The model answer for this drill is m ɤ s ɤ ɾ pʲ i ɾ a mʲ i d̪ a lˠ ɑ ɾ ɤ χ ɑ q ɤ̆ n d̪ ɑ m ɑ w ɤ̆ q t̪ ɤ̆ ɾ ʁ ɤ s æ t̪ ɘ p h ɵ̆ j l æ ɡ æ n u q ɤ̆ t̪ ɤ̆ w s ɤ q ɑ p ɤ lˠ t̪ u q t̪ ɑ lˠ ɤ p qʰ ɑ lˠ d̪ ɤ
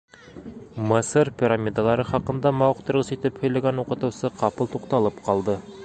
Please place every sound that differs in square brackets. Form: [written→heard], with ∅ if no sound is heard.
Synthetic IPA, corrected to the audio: m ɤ s ɤ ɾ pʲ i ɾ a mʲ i d̪ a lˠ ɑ ɾ ɤ χ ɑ q ɤ̆ n d̪ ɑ m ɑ w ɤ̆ q t̪ ɤ̆ ɾ ʁ ɤ s [æ→i] t̪ ɘ p h ɵ̆ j l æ ɡ æ n u q ɤ̆ t̪ ɤ̆ w s ɤ q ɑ p ɤ lˠ t̪ u q t̪ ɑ lˠ ɤ p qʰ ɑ lˠ d̪ ɤ